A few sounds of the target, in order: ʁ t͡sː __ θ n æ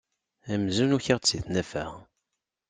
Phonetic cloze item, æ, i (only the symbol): i